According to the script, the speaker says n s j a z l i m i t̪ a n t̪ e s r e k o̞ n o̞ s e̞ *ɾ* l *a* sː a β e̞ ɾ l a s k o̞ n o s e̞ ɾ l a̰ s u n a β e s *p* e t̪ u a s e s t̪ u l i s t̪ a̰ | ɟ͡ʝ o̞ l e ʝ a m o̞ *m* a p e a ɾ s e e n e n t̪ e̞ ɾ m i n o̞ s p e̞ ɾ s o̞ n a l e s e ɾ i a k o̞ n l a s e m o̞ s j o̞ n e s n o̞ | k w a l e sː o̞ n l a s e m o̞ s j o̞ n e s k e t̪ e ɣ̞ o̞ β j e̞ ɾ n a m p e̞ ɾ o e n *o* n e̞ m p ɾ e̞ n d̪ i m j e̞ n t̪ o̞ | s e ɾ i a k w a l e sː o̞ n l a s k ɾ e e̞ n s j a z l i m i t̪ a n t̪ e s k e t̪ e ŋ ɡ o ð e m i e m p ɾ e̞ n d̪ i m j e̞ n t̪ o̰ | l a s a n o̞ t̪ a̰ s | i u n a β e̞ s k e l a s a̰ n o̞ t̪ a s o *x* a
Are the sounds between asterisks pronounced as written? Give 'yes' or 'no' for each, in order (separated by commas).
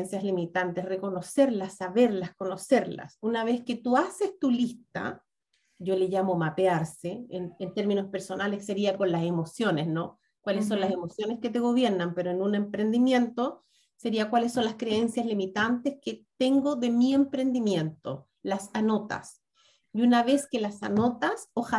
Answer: yes, yes, no, yes, no, yes